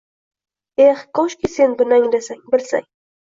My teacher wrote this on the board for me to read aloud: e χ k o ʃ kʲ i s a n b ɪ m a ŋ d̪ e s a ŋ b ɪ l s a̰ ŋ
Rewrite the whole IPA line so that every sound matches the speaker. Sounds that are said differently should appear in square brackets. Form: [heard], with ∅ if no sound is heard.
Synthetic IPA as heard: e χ k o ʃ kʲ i s [e] n b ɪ [n] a ŋ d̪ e s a ŋ b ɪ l s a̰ ŋ

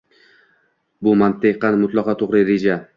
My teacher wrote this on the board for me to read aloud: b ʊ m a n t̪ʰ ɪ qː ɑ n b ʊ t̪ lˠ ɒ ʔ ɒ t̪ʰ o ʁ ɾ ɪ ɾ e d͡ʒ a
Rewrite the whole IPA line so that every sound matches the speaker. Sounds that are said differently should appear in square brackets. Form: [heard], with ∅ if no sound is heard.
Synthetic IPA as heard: b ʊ m a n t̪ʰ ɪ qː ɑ n [m] ʊ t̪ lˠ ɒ [q] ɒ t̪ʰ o ʁ ɾ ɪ ɾ e d͡ʒ a

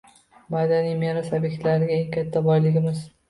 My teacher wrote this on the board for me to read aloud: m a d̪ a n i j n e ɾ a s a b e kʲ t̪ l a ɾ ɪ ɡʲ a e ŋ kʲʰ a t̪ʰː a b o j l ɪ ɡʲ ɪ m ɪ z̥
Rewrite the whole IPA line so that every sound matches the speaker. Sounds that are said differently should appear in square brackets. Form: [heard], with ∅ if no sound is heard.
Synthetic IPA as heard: m a d̪ a n i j [m] e ɾ a s a b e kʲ t̪ l a ɾ ɪ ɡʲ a e ŋ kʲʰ a t̪ʰː a b [ɒ] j l ɪ ɡʲ ɪ m ɪ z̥

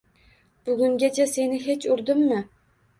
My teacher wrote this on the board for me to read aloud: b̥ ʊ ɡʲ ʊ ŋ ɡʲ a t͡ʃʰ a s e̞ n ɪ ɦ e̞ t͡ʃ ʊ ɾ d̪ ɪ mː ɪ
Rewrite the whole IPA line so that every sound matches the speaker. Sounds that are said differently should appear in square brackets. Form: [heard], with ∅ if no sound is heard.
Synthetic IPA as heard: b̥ ʊ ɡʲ ʊ ŋ ɡʲ a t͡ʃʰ a s e̞ n ɪ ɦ e̞ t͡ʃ ʊ ɾ d̪ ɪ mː ɪ

